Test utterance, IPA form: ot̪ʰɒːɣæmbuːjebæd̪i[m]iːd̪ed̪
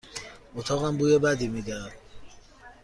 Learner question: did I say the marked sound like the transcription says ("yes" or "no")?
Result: yes